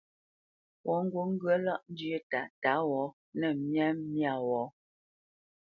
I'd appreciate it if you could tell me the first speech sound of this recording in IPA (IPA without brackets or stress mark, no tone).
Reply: w